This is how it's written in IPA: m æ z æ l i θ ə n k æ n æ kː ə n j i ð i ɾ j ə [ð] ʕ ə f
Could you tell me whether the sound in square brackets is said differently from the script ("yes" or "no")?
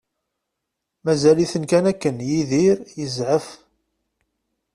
yes